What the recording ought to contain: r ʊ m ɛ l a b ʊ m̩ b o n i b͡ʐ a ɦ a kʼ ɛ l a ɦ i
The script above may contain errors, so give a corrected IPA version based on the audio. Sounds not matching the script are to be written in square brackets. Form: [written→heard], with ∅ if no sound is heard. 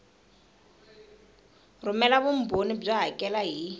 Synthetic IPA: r ʊ m ɛ l a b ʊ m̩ b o n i b͡ʐ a ɦ a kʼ ɛ l a ɦ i